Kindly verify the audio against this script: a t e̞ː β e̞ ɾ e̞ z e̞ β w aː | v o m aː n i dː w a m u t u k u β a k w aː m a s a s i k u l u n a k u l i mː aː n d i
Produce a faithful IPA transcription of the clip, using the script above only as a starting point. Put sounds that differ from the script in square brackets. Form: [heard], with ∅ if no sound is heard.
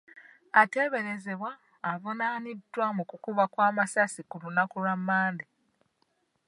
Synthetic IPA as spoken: a t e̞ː β e̞ ɾ e̞ z e̞ β w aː | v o [n] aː n i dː w a m u [k] u k u β a k w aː m a s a s i k u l u n a k u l [a] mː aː n d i